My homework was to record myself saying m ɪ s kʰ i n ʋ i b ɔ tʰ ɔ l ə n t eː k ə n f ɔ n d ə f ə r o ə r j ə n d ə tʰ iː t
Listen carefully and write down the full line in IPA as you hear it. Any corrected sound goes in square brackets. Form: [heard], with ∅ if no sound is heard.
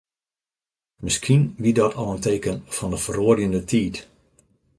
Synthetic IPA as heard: m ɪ s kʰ i n ʋ i [d] ɔ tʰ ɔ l ə n t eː k ə n f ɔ n d ə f ə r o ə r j ə n d ə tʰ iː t